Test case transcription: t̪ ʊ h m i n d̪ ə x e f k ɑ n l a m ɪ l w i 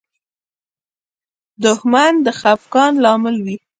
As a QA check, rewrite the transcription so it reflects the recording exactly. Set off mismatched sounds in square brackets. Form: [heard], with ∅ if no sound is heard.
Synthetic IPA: [d̪] ʊ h m [a] n d̪ ə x [a] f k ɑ n l [ɑ] m ɪ l w i